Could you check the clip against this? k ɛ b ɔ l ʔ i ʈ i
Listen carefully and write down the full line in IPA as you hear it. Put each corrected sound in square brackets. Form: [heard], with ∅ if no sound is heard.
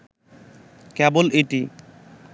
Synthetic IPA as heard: k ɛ b [o] l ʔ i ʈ i

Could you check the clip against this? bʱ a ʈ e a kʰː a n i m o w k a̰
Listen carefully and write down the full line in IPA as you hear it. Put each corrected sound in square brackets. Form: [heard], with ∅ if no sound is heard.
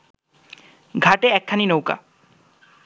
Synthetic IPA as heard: [ɡʱ] a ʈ e [ɛ] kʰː a n i [n] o w k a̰

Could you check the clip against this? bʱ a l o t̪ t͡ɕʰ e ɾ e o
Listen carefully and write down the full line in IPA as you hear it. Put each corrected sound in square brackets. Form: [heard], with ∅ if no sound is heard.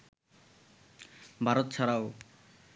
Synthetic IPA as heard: bʱ a [ɾ] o t̪ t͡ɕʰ [a] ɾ [a] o

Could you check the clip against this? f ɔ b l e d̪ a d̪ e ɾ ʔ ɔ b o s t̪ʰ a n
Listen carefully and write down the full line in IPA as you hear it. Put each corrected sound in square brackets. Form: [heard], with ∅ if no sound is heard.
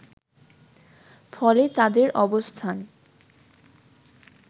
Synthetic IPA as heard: f ɔ [∅] l e [t̪] a d̪ e ɾ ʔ ɔ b o s t̪ʰ a n

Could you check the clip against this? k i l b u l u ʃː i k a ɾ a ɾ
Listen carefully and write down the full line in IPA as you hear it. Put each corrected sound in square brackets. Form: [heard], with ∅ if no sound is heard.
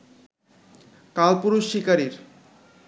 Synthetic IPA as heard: k [a] l [p] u [ɾ] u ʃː i k a ɾ [i] ɾ

